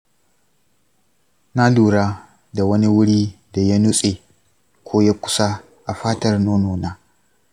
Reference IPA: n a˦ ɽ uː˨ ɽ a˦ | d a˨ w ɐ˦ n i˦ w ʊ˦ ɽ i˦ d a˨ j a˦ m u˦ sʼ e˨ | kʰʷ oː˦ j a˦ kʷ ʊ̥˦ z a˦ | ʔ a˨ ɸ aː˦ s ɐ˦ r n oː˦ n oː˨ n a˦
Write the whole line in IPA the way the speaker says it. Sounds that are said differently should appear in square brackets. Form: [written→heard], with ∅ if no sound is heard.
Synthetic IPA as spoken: n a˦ [ɽ→l] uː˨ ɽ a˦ | d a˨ w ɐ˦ n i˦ w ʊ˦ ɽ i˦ d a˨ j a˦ [m→n] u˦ sʼ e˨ | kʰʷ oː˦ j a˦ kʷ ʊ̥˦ [z→s] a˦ | ʔ a˨ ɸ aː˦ [s→t] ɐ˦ r n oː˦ n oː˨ n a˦